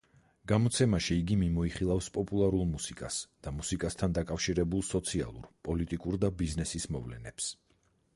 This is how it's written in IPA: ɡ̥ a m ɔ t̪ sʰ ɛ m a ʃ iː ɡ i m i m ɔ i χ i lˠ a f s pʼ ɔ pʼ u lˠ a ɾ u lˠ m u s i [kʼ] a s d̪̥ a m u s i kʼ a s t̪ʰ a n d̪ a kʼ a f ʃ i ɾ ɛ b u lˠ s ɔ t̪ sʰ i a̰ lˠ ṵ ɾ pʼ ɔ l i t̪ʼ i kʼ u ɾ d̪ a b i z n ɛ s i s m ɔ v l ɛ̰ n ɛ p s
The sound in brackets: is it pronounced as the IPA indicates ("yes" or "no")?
yes